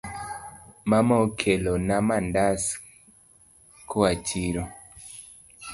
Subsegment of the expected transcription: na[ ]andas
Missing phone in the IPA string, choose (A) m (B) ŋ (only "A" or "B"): A